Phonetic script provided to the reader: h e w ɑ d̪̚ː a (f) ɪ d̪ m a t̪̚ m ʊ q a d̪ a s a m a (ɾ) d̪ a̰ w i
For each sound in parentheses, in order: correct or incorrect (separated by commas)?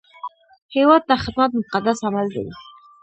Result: incorrect, incorrect